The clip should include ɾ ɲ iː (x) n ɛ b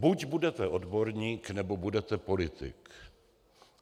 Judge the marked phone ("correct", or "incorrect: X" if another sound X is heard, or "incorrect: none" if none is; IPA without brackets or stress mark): incorrect: k